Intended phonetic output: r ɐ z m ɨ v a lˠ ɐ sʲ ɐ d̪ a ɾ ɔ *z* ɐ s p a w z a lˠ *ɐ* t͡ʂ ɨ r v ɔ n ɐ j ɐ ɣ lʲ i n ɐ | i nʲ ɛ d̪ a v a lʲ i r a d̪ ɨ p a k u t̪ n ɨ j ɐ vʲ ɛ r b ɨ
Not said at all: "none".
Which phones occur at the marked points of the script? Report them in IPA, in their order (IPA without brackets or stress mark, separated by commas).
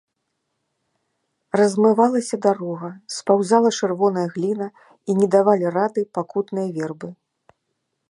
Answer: ɣ, ɐ